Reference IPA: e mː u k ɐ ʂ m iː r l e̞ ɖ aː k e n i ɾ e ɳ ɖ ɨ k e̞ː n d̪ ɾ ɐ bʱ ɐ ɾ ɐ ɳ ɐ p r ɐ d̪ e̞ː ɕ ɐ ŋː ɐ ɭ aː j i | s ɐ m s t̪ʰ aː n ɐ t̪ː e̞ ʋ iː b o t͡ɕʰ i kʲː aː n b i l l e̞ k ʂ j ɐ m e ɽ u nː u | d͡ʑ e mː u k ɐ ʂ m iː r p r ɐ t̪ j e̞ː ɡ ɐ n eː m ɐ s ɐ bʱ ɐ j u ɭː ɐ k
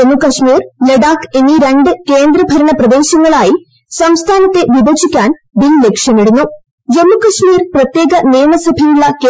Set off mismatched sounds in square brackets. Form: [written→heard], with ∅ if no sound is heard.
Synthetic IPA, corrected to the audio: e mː u k ɐ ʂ m iː r l e̞ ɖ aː k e n i ɾ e ɳ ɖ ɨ k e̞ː n d̪ ɾ ɐ bʱ ɐ ɾ ɐ ɳ ɐ p r ɐ d̪ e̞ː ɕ ɐ ŋː ɐ ɭ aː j i | s ɐ m s t̪ʰ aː n ɐ t̪ː e̞ ʋ [iː→i] b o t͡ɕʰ i kʲː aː n b i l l e̞ k ʂ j ɐ m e ɽ u nː u | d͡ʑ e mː u k ɐ ʂ m iː r p r ɐ t̪ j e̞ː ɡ ɐ n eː m ɐ s ɐ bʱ ɐ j u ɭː ɐ k

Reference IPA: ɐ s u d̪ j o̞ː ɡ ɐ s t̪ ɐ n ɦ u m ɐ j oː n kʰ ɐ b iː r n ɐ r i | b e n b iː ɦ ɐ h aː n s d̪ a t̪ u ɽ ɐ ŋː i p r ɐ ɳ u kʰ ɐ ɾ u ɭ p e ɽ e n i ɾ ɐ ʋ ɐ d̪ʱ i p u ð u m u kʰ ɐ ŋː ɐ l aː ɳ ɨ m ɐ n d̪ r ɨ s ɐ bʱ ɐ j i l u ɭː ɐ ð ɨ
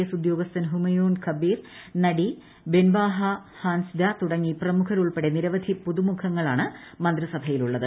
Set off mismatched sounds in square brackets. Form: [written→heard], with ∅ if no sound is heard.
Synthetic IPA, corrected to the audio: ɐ s u d̪ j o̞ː ɡ ɐ s t̪ ɐ n ɦ u m ɐ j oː n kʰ ɐ b iː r n ɐ [r→ɽ] i | b e n b [iː→aː] ɦ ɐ h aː n s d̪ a t̪ u ɽ ɐ ŋː i p r ɐ [ɳ→m] u kʰ ɐ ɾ u ɭ p e ɽ e n i ɾ ɐ ʋ ɐ d̪ʱ i p u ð u m u kʰ ɐ ŋː ɐ [l→ɭ] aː ɳ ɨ m ɐ n d̪ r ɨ s ɐ bʱ ɐ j i l u ɭː ɐ ð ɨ

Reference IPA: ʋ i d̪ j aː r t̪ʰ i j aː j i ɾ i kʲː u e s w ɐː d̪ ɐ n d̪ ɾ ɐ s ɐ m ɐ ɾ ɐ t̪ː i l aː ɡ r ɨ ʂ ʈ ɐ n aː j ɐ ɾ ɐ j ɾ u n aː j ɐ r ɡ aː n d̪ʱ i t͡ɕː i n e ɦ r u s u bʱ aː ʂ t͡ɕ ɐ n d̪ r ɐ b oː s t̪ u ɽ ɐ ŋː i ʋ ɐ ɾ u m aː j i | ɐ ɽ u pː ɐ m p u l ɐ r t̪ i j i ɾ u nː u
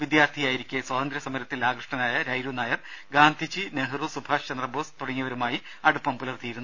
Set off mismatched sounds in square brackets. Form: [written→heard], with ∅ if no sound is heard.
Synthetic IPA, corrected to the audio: ʋ i d̪ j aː r t̪ʰ i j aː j i ɾ i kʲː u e s w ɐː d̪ ɐ n d̪ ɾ ɐ s ɐ m ɐ ɾ ɐ t̪ː i l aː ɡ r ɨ ʂ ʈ ɐ n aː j ɐ ɾ ɐ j ɾ u n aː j ɐ r ɡ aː n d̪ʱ i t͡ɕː i n e ɦ r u s u bʱ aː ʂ t͡ɕ ɐ n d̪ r ɐ b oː s t̪ u ɽ ɐ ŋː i ʋ ɐ ɾ u m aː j i | ɐ ɽ u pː ɐ m p u l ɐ r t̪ i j i ɾ u nː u

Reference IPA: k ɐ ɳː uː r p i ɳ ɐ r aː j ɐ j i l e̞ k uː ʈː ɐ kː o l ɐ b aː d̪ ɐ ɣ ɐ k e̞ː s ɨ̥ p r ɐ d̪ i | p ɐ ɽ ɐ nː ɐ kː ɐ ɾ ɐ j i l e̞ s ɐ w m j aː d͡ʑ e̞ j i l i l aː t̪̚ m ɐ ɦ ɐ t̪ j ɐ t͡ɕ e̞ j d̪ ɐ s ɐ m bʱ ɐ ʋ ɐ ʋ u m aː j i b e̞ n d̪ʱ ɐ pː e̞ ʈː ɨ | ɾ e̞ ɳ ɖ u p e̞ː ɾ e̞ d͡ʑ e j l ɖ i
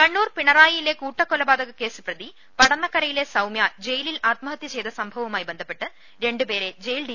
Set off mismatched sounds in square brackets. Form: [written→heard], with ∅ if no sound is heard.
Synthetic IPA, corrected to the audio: k ɐ ɳː uː r p i ɳ ɐ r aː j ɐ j i l e̞ k uː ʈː ɐ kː o l ɐ b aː d̪ ɐ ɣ ɐ k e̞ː s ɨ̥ p r ɐ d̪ i | p ɐ ɽ ɐ nː ɐ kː ɐ ɾ ɐ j i l e̞ s ɐ w m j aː d͡ʑ e̞ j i l i l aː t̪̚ m ɐ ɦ ɐ t̪ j ɐ t͡ɕ e̞ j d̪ ɐ s ɐ m bʱ ɐ ʋ ɐ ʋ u m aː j i b e̞ n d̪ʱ ɐ pː e̞ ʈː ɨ | ɾ e̞ ɳ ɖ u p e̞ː ɾ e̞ d͡ʑ e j l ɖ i

